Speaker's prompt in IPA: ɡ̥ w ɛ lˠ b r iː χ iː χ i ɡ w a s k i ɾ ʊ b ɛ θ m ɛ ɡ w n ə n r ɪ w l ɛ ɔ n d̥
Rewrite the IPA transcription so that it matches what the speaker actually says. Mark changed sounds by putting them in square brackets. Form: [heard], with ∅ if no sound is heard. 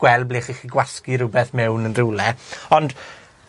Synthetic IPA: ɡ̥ w ɛ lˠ b [l] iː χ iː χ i ɡ w a s k i ɾ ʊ b ɛ θ m ɛ [∅] w n ə n r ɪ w l ɛ ɔ n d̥